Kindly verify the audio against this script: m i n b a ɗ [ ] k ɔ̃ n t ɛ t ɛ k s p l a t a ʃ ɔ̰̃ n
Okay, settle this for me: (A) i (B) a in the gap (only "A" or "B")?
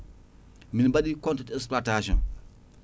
A